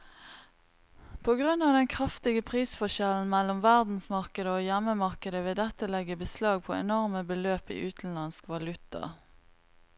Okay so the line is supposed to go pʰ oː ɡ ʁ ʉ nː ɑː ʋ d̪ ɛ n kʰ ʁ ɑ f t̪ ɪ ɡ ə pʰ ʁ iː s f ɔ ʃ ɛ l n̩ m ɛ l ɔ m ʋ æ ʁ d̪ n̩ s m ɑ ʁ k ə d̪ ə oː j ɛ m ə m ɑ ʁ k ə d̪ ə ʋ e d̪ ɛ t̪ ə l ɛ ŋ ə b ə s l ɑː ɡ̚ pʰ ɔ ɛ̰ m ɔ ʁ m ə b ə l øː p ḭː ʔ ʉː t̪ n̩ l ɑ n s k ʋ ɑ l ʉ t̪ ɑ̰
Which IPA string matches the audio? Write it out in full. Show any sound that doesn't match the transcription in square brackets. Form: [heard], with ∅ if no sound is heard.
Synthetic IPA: pʰ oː ɡ ʁ ʉ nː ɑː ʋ d̪ ɛ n kʰ ʁ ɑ f t̪ ɪ ɡ ə pʰ ʁ iː s f ɔ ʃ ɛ l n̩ m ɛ l ɔ m ʋ æ ʁ d̪ n̩ s m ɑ ʁ k ə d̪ ə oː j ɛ m ə m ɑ ʁ k ə d̪ ə ʋ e d̪ ɛ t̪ ə l ɛ [ɡ] ə b ə s l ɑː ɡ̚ pʰ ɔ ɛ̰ [n] ɔ ʁ m ə b ə l øː p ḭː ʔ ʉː t̪ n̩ l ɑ n s k ʋ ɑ l ʉ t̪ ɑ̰